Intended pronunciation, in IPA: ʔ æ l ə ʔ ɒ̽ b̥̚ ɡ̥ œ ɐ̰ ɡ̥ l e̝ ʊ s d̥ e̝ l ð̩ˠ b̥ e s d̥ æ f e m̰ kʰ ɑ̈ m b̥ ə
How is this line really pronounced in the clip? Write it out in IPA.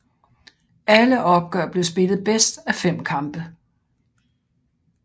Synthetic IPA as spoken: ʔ æ l ə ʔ ɒ̽ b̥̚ ɡ̥ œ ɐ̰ b̥ l e̝ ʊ s b̥ e̝ l ð̩ˠ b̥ e s d̥ æ f e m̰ kʰ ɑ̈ m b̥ ə